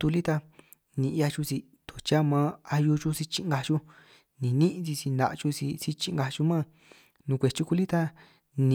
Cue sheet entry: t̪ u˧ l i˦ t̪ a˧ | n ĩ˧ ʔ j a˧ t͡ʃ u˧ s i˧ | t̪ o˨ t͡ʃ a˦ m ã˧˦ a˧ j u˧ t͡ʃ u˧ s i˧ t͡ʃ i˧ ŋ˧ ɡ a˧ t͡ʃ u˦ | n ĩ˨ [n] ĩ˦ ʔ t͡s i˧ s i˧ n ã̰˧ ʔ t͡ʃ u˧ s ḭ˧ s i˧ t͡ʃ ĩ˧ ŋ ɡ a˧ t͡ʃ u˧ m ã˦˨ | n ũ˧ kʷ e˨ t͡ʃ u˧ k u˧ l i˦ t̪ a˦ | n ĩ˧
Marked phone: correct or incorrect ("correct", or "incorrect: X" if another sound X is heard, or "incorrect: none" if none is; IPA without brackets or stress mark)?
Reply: correct